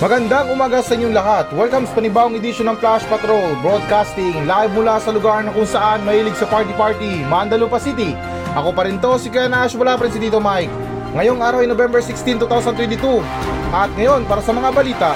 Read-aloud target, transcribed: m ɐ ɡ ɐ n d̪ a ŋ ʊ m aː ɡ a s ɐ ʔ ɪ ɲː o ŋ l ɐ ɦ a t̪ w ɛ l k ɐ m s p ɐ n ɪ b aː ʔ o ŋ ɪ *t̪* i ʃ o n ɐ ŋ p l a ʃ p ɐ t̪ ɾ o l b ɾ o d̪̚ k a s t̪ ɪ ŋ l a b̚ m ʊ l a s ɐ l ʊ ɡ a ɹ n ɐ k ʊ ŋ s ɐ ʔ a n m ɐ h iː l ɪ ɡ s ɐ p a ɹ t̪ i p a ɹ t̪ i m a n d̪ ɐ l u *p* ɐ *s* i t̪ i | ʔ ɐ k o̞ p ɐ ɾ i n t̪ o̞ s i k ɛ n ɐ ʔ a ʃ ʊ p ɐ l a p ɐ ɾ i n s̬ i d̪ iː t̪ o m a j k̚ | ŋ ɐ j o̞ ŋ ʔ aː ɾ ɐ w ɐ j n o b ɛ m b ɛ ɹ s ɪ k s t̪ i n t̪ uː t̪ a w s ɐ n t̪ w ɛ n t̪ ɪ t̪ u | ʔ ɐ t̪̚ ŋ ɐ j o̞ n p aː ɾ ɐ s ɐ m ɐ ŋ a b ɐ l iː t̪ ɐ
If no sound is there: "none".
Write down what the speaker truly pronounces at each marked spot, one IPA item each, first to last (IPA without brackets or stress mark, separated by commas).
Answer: d̪, p, s